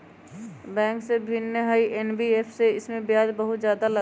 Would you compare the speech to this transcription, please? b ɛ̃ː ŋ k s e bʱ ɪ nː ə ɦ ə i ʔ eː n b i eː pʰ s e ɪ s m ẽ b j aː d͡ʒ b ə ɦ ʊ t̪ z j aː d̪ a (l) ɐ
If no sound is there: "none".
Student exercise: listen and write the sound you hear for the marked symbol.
l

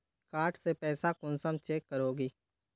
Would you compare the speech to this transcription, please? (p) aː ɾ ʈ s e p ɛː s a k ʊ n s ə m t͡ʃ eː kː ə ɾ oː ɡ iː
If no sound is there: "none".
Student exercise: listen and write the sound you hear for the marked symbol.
k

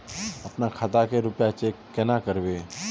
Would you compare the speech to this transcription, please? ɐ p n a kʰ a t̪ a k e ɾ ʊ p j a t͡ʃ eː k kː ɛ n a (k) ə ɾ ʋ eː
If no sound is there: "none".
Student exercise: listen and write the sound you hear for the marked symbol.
k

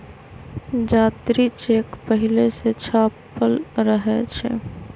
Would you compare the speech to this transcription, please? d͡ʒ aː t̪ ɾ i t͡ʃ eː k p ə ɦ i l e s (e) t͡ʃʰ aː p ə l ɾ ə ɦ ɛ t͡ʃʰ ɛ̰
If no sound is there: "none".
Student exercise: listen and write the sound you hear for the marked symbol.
e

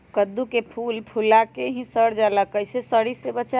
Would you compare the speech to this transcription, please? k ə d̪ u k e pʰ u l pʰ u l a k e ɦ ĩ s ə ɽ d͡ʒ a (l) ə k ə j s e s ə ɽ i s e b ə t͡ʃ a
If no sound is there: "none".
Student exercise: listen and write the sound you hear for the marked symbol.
l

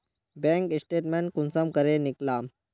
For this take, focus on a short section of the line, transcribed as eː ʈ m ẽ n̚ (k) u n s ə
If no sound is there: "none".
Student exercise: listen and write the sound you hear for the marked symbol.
k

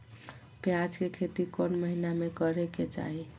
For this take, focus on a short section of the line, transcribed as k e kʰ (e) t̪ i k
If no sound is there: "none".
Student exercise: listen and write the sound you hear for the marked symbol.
e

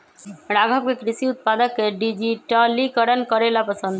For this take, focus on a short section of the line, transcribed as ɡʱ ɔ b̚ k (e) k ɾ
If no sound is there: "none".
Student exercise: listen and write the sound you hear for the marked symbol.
e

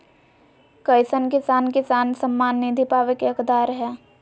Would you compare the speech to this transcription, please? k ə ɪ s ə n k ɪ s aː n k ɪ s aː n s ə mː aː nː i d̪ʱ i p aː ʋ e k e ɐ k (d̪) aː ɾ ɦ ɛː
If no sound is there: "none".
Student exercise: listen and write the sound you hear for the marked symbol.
d̪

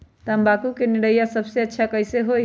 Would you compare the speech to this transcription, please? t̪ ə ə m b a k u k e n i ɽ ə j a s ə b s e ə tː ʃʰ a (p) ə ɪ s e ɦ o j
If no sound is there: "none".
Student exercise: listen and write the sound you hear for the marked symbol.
k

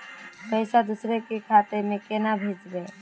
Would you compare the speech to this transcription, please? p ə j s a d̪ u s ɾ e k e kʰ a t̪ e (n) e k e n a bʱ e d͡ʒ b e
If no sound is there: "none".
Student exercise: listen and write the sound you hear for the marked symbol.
m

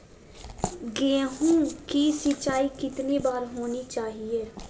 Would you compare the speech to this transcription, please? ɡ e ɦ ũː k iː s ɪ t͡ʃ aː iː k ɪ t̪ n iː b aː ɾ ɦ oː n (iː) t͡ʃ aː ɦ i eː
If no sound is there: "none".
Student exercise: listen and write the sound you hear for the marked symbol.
iː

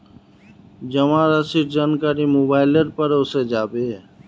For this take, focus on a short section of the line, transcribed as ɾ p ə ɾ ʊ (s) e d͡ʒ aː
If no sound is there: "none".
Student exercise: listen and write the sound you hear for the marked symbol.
s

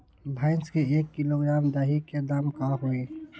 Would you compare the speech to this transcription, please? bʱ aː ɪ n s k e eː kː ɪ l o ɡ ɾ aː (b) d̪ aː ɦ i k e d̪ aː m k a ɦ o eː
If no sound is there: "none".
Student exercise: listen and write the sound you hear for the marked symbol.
m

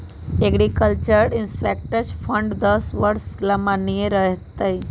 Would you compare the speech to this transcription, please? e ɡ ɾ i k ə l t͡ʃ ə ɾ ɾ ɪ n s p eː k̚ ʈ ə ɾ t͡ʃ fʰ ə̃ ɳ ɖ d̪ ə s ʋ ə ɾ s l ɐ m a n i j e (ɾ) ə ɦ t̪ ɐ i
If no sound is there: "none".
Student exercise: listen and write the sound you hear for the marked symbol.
ɾ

